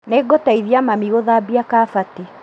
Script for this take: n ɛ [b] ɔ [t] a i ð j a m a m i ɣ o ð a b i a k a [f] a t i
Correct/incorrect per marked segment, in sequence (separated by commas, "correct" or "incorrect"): incorrect, correct, correct